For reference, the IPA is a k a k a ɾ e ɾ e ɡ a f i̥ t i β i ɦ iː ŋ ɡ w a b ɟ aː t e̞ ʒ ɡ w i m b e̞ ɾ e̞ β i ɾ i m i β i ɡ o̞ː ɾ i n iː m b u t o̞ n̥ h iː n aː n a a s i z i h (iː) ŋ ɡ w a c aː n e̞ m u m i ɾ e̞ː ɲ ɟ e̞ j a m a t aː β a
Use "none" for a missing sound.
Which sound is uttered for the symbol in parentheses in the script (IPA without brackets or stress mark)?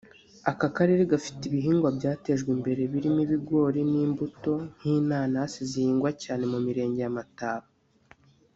iː